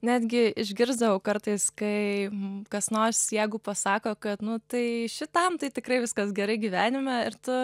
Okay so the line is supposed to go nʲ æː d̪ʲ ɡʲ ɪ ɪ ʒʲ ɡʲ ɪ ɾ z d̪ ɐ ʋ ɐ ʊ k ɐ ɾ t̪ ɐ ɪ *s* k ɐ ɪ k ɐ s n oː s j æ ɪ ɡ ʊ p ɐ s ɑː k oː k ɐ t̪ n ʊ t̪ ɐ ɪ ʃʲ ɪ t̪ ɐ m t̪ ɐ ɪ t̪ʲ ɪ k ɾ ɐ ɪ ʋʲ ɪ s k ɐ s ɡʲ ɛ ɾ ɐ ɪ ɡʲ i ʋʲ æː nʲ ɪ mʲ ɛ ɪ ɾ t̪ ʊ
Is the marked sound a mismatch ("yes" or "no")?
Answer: no